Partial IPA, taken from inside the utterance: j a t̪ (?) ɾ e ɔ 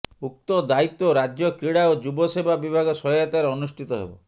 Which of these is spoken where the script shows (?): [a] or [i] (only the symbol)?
a